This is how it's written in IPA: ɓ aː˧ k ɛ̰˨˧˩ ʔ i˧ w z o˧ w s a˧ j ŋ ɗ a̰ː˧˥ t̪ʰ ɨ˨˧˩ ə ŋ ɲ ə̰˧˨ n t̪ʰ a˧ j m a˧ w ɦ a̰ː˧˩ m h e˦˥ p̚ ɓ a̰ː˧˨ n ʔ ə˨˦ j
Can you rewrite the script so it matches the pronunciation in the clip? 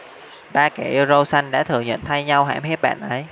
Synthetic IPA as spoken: ɓ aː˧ k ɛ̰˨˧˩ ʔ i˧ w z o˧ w s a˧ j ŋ ɗ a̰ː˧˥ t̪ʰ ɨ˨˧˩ ə ŋ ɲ ə̰˧˨ n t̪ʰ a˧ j ɲ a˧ w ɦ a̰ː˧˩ m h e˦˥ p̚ ɓ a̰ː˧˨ n ʔ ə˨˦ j